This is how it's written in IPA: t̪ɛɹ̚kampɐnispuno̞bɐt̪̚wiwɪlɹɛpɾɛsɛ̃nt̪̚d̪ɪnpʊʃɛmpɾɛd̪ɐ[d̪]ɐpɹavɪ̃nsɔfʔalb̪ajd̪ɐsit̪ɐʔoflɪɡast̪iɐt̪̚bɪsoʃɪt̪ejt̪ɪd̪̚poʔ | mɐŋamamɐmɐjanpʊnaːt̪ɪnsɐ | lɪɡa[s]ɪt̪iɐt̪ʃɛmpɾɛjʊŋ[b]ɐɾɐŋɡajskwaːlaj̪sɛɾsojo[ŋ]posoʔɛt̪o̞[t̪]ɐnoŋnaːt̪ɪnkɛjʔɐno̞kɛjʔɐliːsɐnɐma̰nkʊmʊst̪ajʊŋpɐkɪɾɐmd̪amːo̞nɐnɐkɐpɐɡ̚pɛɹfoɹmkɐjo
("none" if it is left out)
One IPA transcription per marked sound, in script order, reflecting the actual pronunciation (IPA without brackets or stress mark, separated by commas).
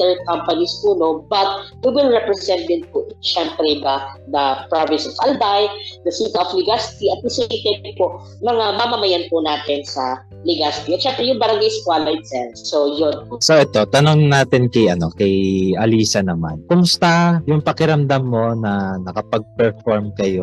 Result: d̪, s, b, n, t̪